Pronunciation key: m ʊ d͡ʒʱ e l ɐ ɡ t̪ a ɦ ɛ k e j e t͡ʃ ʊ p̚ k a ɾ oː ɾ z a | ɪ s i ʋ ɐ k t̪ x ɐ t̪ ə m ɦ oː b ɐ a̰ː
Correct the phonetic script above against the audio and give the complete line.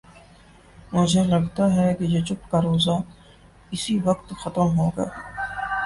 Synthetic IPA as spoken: m ʊ d͡ʒʱ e l ɐ ɡ t̪ a ɦ ɛ k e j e t͡ʃ ʊ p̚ k a ɾ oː z a | ɪ s i ʋ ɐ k t̪ x ɐ t̪ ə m ɦ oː ɡ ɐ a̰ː